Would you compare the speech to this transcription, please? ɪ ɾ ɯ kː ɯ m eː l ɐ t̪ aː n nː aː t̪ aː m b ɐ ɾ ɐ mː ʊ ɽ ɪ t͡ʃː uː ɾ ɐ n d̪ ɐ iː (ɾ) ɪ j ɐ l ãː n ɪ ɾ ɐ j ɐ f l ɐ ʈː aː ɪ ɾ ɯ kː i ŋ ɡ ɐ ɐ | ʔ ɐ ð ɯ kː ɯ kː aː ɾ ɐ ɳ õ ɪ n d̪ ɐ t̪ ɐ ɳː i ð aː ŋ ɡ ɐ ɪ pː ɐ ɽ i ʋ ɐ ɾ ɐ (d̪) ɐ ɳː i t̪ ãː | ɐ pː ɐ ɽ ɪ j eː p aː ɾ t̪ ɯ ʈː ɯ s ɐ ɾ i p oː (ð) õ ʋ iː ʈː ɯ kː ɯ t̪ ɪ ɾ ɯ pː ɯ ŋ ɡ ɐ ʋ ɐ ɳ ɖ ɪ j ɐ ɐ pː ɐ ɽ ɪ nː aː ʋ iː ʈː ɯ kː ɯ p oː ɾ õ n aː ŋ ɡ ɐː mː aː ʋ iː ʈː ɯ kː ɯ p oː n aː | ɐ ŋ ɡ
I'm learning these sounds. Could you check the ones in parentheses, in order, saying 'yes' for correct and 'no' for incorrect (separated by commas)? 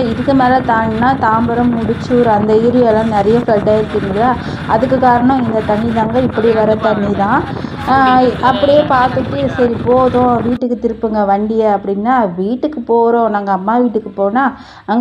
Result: yes, no, yes